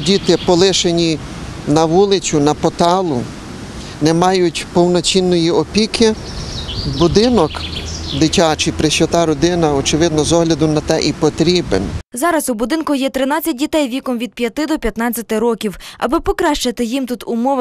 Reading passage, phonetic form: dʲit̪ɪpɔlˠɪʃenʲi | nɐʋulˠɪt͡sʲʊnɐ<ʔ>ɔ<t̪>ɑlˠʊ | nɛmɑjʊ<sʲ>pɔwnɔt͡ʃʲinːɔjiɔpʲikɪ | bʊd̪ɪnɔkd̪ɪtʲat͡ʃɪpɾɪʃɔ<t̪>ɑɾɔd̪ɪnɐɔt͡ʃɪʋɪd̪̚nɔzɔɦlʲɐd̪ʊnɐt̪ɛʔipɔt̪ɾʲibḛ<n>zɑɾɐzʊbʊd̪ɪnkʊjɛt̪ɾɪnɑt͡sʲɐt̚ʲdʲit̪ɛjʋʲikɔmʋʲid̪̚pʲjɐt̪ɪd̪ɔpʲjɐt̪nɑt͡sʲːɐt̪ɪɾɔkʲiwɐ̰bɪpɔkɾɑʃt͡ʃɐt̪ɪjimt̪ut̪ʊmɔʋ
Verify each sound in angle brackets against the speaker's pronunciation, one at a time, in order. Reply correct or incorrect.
incorrect, correct, incorrect, correct, correct

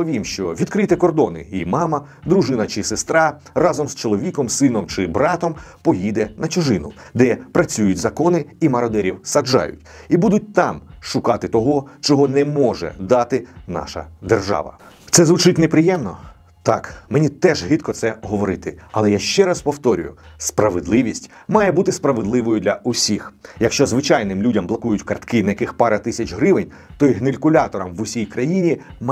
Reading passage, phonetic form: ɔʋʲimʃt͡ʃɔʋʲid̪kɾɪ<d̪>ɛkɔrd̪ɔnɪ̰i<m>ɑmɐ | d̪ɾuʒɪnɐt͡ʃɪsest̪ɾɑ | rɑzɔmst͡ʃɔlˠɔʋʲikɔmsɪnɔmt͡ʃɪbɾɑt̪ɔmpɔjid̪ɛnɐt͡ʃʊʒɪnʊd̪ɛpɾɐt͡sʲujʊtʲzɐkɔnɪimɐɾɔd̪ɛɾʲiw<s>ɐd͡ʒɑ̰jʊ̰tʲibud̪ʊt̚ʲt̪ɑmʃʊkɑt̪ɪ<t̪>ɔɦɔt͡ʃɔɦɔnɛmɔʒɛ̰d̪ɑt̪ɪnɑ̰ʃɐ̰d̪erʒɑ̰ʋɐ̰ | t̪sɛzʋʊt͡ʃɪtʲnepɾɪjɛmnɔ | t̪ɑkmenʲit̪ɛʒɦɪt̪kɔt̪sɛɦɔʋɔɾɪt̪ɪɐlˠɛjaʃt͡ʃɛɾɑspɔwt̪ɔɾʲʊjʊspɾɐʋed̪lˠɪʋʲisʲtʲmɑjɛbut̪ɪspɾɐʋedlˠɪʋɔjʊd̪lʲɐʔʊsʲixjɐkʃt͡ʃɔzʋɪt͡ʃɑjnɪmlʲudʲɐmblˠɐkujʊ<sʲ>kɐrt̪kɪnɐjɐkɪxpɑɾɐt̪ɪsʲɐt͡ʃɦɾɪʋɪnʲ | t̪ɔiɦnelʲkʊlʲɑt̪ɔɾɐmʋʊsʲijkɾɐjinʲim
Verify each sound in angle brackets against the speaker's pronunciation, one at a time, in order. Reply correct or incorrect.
incorrect, correct, correct, correct, incorrect

